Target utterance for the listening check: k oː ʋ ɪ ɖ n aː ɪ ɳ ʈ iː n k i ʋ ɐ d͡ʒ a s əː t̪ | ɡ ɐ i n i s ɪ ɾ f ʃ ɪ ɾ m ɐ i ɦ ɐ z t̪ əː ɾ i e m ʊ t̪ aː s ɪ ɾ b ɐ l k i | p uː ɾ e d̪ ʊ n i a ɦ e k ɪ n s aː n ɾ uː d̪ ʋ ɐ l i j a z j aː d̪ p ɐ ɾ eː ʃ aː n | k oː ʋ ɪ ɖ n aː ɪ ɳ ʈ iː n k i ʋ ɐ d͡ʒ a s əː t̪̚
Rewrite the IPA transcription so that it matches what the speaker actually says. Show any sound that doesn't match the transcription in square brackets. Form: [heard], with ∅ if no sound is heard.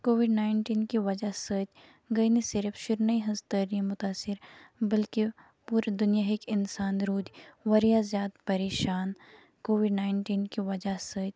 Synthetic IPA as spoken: k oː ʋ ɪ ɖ n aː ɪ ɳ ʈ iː n k i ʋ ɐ d͡ʒ a s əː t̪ | ɡ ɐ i n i s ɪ ɾ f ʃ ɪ ɾ [n] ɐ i ɦ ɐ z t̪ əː ɾ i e m ʊ t̪ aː s ɪ ɾ b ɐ l k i | p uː ɾ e d̪ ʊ n [j] a ɦ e k ɪ n s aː n ɾ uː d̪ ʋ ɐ [ɾ] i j a z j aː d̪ p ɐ ɾ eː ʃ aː n | k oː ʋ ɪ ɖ n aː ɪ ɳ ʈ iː n k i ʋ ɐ d͡ʒ a s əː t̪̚